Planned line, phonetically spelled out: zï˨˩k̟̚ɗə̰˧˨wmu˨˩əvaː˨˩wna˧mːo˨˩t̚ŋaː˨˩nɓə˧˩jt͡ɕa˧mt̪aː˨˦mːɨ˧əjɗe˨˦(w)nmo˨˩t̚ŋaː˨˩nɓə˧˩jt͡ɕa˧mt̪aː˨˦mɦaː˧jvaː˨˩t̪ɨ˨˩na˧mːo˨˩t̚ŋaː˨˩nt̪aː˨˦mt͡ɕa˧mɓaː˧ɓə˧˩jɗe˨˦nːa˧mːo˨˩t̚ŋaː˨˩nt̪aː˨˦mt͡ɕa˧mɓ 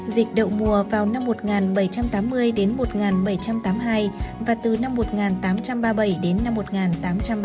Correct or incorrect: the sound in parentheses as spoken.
incorrect: none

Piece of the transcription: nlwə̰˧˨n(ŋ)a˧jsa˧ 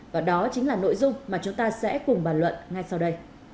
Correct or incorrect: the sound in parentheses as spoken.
correct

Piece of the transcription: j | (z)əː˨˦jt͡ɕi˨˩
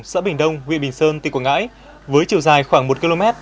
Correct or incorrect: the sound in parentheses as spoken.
incorrect: v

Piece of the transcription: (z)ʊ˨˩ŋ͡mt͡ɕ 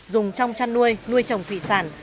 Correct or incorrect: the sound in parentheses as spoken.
correct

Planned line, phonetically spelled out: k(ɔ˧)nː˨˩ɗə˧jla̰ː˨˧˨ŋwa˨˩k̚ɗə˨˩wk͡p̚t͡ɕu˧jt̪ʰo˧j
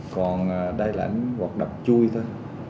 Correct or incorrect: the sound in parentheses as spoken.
incorrect: ɔ˨˩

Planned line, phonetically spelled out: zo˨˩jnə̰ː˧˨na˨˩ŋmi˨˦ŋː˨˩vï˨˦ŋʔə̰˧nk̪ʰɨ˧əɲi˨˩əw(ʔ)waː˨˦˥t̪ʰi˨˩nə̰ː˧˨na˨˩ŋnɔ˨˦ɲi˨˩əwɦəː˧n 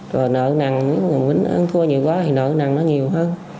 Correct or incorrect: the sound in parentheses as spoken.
incorrect: k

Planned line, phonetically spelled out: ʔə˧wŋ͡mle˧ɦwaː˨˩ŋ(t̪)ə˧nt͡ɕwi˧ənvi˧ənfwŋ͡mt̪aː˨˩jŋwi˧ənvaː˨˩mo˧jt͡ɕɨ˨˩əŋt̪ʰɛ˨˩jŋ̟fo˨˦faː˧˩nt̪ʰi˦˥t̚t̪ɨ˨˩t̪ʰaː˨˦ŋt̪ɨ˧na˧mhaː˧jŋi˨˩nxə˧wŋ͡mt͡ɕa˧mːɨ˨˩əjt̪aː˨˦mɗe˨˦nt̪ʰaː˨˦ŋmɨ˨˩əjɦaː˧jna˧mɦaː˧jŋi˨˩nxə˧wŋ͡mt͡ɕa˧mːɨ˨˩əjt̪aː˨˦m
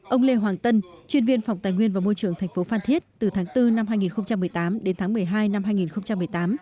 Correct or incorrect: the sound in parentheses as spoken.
correct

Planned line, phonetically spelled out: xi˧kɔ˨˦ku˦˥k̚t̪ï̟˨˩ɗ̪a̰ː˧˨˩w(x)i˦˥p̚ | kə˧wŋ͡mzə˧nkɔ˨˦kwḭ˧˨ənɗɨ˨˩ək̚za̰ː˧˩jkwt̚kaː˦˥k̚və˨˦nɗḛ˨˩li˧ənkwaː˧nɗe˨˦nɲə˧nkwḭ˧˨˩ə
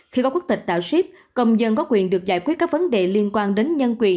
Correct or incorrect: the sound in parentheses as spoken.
incorrect: s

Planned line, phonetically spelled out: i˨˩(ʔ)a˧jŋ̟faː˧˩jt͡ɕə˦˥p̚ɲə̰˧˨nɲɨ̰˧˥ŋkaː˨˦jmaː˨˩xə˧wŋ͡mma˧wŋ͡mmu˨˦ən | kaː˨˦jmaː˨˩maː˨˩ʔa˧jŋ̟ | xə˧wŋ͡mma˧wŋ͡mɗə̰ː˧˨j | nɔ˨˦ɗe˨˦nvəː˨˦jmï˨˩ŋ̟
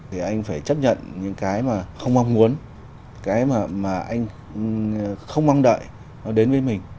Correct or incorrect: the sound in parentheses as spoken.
correct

